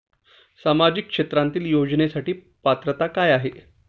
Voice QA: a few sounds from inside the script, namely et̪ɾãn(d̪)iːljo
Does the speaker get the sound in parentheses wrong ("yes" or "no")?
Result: yes